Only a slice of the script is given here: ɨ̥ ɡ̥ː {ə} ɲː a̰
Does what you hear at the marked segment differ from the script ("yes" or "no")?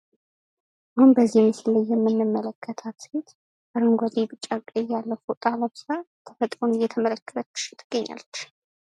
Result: no